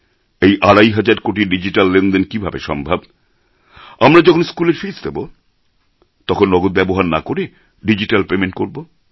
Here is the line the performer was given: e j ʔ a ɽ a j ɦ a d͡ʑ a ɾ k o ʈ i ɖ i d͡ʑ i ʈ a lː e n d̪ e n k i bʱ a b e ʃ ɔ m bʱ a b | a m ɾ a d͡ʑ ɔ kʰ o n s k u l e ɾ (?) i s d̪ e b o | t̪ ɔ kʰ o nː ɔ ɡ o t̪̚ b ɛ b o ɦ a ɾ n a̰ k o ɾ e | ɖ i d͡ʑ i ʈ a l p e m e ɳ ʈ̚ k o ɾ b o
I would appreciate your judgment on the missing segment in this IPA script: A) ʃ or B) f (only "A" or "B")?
B